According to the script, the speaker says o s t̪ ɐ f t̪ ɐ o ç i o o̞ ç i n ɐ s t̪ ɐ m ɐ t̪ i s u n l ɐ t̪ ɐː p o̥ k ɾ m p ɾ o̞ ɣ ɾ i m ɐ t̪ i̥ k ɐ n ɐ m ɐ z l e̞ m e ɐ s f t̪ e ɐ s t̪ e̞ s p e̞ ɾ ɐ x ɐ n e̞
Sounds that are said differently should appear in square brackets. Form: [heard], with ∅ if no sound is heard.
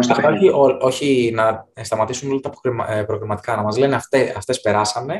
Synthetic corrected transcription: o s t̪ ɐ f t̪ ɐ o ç i o o̞ ç i n ɐ s t̪ ɐ m ɐ t̪ i s u n l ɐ t̪ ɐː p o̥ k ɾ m p ɾ o̞ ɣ ɾ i m ɐ t̪ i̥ k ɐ n ɐ m ɐ z l e̞ [n] e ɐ [∅] f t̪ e ɐ [f] t̪ e̞ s p e̞ ɾ ɐ [s] ɐ n e̞